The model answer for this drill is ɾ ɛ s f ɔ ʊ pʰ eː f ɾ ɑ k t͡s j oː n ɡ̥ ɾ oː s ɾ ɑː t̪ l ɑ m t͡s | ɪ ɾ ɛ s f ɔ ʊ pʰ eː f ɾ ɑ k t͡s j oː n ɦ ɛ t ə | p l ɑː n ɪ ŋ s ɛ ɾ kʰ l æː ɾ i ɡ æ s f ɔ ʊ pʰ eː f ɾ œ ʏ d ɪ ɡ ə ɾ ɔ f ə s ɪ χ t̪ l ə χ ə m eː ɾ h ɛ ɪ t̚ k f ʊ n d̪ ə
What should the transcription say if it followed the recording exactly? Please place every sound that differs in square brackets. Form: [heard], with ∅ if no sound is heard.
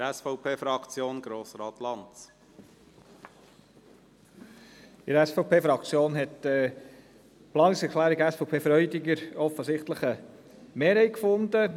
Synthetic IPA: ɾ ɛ s f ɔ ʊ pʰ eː f ɾ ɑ k t͡s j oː n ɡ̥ ɾ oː s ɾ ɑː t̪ l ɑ [n] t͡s | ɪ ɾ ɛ s f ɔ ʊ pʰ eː f ɾ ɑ k t͡s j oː n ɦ ɛ t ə | p l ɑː n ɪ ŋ s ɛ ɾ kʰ l æː ɾ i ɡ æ s f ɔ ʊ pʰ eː f ɾ œ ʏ d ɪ ɡ ə ɾ ɔ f ə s ɪ χ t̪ l ə χ ə m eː ɾ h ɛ ɪ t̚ k f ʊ n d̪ ə